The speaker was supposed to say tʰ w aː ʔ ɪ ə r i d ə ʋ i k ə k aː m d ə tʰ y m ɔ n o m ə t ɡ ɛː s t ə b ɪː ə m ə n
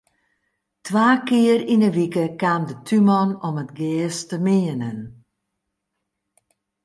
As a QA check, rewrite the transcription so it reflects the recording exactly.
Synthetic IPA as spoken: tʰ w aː k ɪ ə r i n ə ʋ i k ə k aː m d ə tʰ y m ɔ n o m ə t ɡ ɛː s t ə m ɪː ə n ə n